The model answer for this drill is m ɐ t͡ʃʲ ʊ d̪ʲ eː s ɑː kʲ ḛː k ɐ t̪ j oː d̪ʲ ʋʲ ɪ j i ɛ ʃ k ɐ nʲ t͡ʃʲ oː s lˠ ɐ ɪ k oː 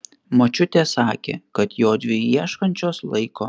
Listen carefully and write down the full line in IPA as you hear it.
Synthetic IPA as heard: m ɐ t͡ʃʲ ʊ t̪ʲ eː s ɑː kʲ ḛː k ɐ t̪ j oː d̪ʲ ʋʲ ɪ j i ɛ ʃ k ɐ nʲ t͡ʃʲ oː s lˠ ɐ ɪ k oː

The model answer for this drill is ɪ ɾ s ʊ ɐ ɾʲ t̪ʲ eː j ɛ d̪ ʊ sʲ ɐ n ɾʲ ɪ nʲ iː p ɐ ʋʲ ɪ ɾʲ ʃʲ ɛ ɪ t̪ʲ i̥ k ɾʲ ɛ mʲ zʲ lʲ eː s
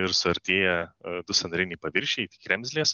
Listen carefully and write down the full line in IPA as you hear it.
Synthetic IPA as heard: ɪ ɾ s ʊ ɐ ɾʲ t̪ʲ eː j ɛ d̪ ʊ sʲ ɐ n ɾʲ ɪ nʲ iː p ɐ ʋʲ ɪ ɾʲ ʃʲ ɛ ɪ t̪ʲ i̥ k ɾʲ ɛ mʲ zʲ lʲ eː s

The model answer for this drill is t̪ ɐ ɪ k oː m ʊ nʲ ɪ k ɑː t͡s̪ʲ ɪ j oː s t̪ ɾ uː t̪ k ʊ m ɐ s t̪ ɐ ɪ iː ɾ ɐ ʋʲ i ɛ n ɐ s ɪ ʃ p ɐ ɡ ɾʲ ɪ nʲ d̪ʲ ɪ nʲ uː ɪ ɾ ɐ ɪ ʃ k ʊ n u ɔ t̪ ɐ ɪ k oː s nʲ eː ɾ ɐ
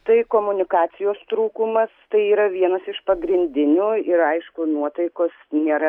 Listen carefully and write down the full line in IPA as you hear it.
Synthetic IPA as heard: t̪ ɐ ɪ k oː m ʊ nʲ ɪ k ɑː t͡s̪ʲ ɪ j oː s t̪ ɾ uː k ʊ m ɐ s t̪ ɐ ɪ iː ɾ ɐ ʋʲ i ɛ n ɐ s ɪ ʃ p ɐ ɡ ɾʲ ɪ nʲ d̪ʲ ɪ nʲ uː ɪ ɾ ɐ ɪ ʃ k ʊ n u ɔ t̪ ɐ ɪ k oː s nʲ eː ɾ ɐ

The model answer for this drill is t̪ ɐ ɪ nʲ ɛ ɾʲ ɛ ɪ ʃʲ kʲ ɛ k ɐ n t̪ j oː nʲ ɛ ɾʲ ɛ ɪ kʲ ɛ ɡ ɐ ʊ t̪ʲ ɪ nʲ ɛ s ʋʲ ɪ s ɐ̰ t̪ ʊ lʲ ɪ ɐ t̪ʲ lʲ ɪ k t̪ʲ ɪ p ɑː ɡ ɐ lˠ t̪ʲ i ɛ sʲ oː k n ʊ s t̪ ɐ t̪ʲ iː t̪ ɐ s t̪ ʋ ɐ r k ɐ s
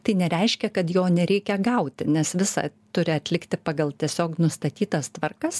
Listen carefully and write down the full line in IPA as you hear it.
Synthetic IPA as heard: t̪ ɐ ɪ nʲ ɛ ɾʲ ɛ ɪ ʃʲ kʲ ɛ k ɐ t̪ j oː nʲ ɛ ɾʲ ɛ ɪ kʲ ɛ ɡ ɐ ʊ t̪ʲ ɪ nʲ ɛ s ʋʲ ɪ s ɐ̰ t̪ ʊ ɾʲ ɪ ɐ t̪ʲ lʲ ɪ k t̪ʲ ɪ p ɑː ɡ ɐ lˠ t̪ʲ i ɛ sʲ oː k n ʊ s t̪ ɐ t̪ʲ iː t̪ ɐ s t̪ ʋ ɐ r k ɐ s

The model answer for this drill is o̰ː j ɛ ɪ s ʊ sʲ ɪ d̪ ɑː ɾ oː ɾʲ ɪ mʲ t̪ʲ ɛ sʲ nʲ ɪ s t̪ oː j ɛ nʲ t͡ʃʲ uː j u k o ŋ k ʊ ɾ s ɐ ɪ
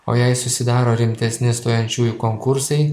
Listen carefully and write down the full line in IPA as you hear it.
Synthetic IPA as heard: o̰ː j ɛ ɪ s ʊ sʲ ɪ d̪ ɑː ɾ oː ɾʲ ɪ mʲ t̪ʲ ɛ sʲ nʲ ɪ s t̪ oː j ɛ nʲ t͡ʃʲ uː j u k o ŋ k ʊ ɾ s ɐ ɪ

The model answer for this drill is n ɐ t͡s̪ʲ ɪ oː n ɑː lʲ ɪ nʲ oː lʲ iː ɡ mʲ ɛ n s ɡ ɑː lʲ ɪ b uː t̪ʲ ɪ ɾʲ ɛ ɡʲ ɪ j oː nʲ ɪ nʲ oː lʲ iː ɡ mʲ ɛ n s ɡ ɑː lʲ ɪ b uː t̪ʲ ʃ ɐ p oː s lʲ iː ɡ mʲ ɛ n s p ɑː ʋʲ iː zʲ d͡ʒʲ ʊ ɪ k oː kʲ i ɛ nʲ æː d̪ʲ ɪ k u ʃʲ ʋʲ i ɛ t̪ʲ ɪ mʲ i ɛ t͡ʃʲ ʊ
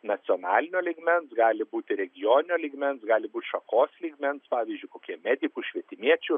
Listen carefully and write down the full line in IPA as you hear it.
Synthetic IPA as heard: n ɐ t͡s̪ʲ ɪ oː n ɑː lʲ ɪ nʲ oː lʲ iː ɡ mʲ ɛ n s ɡ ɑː lʲ ɪ b uː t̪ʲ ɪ ɾʲ ɛ ɡʲ ɪ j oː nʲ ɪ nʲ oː lʲ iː ɡ mʲ ɛ n s ɡ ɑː lʲ ɪ b uː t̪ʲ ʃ ɐ k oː s lʲ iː ɡ mʲ ɛ n s p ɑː ʋʲ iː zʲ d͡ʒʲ ʊ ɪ k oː kʲ i ɛ mʲ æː d̪ʲ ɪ k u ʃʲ ʋʲ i ɛ t̪ʲ ɪ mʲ i ɛ t͡ʃʲ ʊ

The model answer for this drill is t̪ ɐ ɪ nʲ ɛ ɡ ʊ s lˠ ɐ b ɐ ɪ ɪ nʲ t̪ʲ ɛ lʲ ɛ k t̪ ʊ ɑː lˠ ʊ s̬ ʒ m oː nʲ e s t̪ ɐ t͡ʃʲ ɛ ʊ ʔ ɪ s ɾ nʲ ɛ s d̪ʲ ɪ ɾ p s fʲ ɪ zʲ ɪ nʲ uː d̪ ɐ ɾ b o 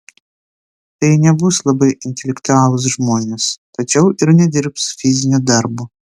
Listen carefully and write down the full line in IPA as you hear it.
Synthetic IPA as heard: t̪ ɐ ɪ nʲ ɛ b ʊ s lˠ ɐ b ɐ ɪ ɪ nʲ t̪ʲ ɛ lʲ ɛ k t̪ ʊ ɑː lˠ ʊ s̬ ʒ m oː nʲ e s t̪ ɐ t͡ʃʲ ɛ ʊ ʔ ɪ ɾ nʲ ɛ d̪ʲ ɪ ɾ p s fʲ ɪ zʲ ɪ nʲ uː d̪ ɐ ɾ b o

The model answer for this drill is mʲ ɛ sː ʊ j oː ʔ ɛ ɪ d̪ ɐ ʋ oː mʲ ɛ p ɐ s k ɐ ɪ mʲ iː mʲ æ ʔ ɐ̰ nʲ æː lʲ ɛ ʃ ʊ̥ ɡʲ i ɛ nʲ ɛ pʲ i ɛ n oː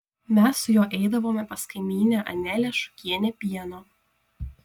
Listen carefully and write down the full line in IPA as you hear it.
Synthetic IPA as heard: mʲ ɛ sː ʊ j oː ʔ ɛ ɪ d̪ ɐ ʋ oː mʲ ɛ p ɐ s k ɐ ɪ mʲ iː nʲ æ ʔ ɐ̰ nʲ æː lʲ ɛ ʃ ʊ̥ kʲ i ɛ nʲ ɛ pʲ i ɛ n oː

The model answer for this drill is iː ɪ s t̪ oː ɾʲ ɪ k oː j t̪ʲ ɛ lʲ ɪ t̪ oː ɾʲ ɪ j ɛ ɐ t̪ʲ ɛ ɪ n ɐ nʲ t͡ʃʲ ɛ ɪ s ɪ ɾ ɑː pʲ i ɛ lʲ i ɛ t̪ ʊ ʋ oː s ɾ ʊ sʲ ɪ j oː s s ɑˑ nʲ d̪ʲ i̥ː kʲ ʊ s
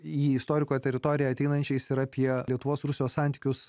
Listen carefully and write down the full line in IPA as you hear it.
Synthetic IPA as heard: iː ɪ s t̪ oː ɾʲ ɪ k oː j t̪ʲ ɛ ɾʲ ɪ t̪ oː ɾʲ ɪ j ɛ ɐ t̪ʲ ɛ ɪ n ɐ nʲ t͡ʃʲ ɛ ɪ s ɪ ɾ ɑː pʲ i ɛ lʲ i ɛ t̪ ʊ ʋ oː s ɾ ʊ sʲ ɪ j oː s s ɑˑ nʲ t̪ʲ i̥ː kʲ ʊ s

